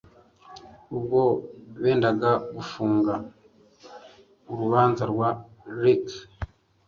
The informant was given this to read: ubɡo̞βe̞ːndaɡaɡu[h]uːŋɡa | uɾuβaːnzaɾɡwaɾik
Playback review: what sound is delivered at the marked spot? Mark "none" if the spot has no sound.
f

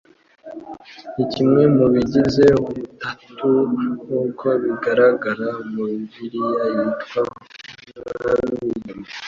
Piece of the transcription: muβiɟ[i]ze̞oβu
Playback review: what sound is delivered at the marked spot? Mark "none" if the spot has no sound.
i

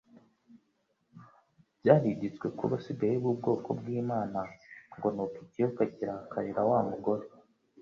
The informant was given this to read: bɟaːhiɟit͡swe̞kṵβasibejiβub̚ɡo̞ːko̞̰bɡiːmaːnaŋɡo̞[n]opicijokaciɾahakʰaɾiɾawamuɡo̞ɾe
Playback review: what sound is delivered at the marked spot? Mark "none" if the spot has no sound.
n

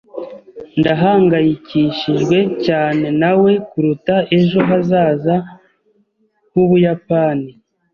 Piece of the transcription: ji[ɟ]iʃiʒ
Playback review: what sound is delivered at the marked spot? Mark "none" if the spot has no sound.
c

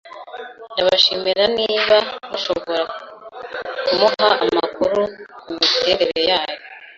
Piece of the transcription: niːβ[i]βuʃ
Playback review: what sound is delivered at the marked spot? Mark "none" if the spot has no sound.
a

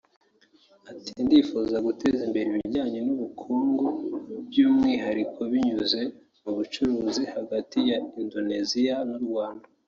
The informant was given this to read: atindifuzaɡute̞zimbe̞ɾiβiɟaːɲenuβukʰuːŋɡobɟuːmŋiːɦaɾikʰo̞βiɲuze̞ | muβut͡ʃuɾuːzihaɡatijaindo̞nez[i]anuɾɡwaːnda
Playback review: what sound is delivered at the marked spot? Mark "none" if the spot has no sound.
i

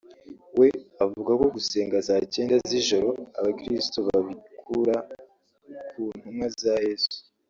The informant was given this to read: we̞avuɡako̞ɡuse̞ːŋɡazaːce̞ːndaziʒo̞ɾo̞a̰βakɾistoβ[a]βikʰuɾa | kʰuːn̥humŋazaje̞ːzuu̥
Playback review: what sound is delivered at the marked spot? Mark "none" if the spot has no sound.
a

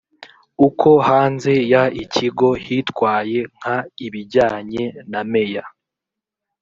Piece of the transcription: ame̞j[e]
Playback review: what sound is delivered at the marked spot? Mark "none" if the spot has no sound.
a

